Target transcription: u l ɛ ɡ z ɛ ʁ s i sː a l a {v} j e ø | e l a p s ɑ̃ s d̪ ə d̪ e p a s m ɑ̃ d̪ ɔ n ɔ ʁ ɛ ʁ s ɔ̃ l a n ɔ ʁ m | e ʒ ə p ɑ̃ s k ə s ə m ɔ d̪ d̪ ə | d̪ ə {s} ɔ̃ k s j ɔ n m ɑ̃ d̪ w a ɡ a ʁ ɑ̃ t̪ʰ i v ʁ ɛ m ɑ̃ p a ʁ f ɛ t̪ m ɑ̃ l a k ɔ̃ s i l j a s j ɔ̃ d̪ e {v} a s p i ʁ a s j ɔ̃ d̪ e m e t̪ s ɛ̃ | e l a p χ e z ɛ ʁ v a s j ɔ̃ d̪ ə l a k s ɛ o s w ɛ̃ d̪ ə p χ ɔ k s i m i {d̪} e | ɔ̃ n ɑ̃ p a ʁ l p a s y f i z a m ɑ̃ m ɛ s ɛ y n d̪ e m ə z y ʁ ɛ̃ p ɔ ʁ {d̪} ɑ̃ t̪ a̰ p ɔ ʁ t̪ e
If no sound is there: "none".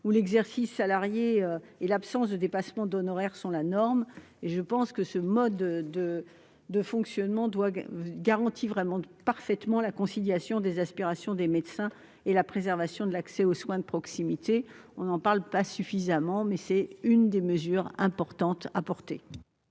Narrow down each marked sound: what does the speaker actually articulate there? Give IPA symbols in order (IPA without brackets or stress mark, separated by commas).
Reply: ʁ, f, z, t̪, t̪